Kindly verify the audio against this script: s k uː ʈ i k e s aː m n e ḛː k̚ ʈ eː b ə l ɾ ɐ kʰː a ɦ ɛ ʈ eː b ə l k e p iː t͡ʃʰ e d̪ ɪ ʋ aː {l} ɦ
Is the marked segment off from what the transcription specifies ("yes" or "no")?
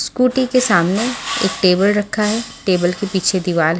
no